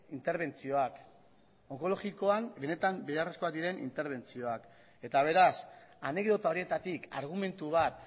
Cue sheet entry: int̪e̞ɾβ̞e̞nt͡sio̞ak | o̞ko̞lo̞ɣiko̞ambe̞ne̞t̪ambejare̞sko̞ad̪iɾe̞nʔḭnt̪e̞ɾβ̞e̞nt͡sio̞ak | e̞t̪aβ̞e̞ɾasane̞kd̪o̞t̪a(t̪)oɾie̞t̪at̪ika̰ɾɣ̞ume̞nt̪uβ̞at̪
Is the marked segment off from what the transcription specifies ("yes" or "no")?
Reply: yes